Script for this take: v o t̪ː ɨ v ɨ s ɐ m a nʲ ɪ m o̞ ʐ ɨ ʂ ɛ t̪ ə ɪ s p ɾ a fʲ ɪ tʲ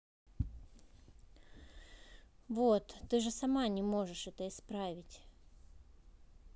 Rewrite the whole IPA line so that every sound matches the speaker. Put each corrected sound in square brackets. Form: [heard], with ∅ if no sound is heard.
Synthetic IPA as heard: v o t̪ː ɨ [ʐ] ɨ s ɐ m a nʲ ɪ m o̞ ʐ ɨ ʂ ɛ t̪ ə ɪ s p ɾ a [vʲ] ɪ tʲ